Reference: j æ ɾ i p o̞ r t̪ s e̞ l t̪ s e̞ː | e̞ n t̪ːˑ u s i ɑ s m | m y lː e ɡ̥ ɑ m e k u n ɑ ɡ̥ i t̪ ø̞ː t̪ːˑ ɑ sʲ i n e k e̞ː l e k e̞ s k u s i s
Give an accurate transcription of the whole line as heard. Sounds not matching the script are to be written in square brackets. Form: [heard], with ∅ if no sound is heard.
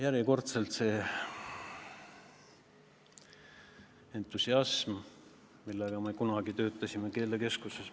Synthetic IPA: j æ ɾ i [k] o̞ r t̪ s e̞ l t̪ s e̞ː | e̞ n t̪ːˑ u s i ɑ s m | m [i] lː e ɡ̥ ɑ m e k u n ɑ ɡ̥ i t̪ ø̞ː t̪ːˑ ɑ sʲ i [m] e k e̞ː l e k e̞ s k u s [e] s